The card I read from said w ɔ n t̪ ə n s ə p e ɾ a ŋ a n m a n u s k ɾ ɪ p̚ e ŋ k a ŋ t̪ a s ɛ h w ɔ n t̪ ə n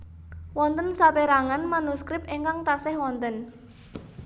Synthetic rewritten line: w ɔ n t̪ ə n s a p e ɾ a ŋ a n m a n u s k ɾ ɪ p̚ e ŋ k a ŋ t̪ a s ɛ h w ɔ n t̪ ə n